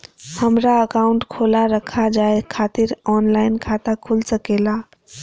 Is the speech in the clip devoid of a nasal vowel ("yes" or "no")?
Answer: yes